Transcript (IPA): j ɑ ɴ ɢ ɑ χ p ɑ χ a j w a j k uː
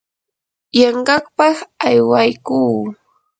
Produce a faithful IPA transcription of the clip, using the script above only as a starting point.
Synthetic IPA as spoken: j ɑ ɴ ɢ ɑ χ p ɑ χ a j w a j k uː